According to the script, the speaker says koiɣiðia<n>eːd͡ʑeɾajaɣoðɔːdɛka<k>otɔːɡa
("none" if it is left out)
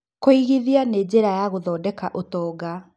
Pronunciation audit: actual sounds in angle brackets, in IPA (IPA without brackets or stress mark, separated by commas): n, ʔ